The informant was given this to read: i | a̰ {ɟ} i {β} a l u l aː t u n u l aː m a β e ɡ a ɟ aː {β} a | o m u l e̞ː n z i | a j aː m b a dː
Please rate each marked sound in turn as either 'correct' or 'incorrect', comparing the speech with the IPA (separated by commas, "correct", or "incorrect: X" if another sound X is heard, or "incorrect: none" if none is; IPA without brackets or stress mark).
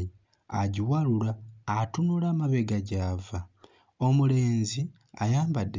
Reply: correct, incorrect: w, incorrect: v